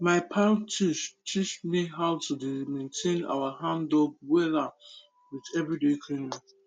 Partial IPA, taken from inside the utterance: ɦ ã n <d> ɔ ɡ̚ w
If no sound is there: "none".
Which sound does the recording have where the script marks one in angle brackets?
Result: d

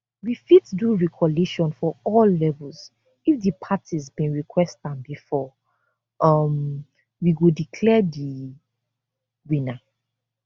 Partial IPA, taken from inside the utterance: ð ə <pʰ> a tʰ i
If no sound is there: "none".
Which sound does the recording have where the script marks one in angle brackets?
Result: pʰ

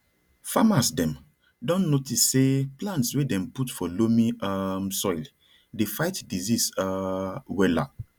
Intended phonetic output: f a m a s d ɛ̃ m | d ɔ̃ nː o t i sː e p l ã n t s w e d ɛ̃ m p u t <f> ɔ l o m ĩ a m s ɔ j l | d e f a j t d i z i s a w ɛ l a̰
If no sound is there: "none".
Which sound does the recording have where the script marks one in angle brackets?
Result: f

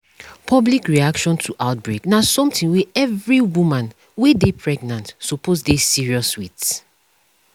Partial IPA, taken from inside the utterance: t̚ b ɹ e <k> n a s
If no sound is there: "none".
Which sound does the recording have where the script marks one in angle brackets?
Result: k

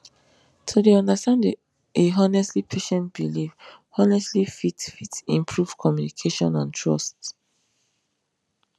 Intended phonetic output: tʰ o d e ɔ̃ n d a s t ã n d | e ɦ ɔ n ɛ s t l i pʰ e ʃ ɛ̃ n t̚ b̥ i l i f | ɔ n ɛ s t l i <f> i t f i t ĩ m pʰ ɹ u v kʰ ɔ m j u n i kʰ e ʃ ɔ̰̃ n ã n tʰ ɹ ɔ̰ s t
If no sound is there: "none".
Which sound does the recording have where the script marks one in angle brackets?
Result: f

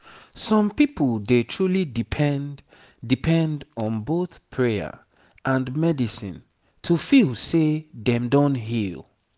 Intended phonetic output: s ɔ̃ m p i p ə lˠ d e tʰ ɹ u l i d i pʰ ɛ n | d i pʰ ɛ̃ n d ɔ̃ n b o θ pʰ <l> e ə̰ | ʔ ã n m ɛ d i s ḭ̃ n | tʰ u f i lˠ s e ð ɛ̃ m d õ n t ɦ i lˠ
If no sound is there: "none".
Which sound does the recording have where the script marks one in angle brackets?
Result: ɹ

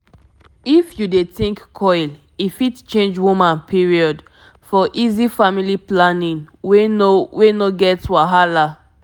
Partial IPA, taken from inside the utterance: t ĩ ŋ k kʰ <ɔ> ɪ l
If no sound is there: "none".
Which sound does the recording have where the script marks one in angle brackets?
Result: ɔ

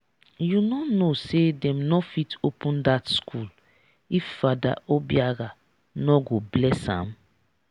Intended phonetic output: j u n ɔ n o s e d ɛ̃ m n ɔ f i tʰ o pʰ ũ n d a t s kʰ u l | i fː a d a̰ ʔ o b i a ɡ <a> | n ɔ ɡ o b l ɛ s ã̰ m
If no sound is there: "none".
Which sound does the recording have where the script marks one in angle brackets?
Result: a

